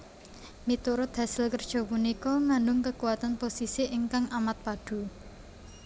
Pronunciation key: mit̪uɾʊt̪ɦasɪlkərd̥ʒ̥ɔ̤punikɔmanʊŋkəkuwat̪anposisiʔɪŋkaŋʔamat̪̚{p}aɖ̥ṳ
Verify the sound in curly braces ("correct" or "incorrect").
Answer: correct